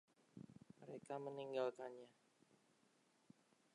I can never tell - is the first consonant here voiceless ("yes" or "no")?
no